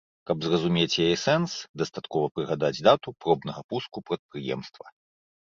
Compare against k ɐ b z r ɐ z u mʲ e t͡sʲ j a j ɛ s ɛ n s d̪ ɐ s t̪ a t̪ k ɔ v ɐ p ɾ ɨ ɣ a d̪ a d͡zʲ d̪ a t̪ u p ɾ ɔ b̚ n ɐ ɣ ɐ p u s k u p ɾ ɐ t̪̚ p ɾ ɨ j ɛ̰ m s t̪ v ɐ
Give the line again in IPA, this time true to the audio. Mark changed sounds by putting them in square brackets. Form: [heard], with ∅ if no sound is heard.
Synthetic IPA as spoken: k ɐ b z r ɐ z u mʲ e t͡sʲ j a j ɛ s ɛ n s d̪ ɐ s t̪ a t̪ k ɔ v ɐ p ɾ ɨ ɣ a d̪ a d͡zʲ d̪ a t̪ u p ɾ ɔ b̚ n ɐ ɣ ɐ p u s k u p ɾ ɐ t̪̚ p ɾ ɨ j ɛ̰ m s t̪ v ɐ